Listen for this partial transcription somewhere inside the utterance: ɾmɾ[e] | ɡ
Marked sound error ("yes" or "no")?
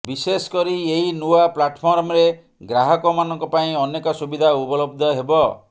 no